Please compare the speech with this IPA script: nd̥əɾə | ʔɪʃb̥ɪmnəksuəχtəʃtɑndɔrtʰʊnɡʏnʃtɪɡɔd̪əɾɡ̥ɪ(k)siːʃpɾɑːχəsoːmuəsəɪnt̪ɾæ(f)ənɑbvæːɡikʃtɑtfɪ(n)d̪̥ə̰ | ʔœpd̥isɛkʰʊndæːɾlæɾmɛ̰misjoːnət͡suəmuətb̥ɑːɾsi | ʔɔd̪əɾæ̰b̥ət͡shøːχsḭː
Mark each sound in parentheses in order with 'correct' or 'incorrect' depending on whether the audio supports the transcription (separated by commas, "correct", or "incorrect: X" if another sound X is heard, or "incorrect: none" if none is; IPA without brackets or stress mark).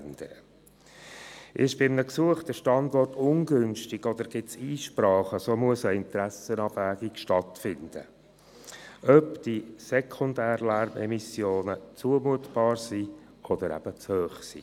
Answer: incorrect: t, incorrect: s, correct